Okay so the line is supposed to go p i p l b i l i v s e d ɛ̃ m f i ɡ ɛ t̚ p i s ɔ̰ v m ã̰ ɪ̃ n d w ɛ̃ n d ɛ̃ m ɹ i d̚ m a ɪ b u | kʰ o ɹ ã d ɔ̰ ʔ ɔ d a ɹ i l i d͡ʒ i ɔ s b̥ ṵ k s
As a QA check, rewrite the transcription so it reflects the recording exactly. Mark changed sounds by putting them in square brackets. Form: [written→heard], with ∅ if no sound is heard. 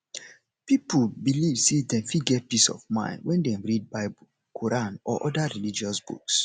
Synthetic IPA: p i p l b i l i v s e d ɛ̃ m f i ɡ ɛ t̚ p i s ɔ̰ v m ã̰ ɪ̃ n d w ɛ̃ n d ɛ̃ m ɹ i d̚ [m→b] a ɪ b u | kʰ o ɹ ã [d→n] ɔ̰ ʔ ɔ d a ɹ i l i d͡ʒ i ɔ s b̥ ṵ k s